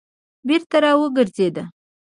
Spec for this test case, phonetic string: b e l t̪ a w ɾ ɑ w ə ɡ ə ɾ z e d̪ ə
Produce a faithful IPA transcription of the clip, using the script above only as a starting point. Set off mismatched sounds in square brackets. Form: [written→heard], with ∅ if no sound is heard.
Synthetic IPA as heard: b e [l→ɾ] t̪ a [w→∅] ɾ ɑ w ə ɡ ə ɾ z e d̪ [ə→a]